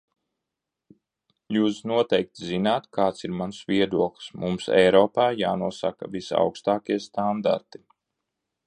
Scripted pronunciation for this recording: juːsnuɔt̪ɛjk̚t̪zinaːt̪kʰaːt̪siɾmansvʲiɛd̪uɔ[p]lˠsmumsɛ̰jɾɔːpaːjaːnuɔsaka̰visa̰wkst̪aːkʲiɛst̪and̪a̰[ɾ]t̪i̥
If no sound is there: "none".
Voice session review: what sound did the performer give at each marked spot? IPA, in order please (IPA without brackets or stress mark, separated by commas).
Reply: k, ɾ